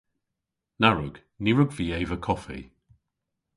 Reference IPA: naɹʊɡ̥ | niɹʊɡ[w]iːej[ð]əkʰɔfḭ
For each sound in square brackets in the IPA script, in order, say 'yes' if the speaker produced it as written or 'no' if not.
no, no

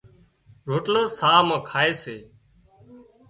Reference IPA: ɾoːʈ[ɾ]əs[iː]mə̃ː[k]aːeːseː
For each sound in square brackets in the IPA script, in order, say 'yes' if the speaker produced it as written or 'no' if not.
no, no, no

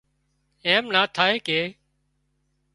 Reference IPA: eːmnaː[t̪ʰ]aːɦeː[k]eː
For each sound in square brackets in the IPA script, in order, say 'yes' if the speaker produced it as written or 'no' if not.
yes, yes

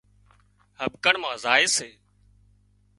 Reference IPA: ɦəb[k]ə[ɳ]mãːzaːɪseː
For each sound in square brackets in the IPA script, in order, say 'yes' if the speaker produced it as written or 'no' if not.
yes, yes

